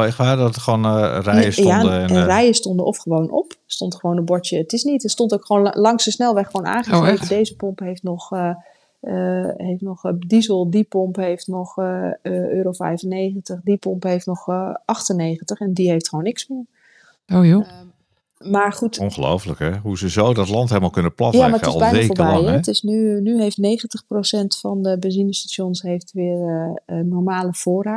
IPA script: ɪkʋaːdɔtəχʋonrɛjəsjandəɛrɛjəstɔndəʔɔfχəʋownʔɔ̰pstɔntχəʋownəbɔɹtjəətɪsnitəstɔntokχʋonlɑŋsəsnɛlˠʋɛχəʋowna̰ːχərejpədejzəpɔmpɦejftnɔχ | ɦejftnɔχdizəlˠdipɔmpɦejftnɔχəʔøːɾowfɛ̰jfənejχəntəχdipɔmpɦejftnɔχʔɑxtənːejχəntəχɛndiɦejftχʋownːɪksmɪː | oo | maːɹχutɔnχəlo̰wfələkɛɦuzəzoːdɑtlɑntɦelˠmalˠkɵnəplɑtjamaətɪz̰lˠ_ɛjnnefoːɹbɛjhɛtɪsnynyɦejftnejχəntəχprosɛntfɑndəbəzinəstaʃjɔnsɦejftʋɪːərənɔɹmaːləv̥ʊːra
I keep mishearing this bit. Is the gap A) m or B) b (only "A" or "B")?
B